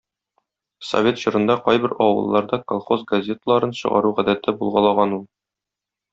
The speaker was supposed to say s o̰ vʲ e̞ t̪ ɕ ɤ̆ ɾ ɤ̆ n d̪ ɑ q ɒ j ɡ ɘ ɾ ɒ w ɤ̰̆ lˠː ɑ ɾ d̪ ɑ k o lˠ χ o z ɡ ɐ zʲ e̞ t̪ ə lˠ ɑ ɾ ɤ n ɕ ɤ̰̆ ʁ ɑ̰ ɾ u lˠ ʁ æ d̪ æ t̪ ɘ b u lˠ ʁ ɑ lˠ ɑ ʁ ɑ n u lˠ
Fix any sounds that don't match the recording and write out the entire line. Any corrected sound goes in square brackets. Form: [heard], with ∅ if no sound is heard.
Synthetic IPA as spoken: s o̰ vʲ e̞ t̪ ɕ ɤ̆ ɾ ɤ̆ n d̪ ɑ q ɒ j [b] ɘ ɾ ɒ w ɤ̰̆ lˠː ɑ ɾ d̪ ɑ k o lˠ χ o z ɡ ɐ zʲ e̞ t̪ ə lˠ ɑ ɾ ɤ n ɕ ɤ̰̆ ʁ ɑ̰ ɾ u [∅] ʁ æ d̪ æ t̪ ɘ b u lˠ ʁ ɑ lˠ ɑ ʁ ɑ n u lˠ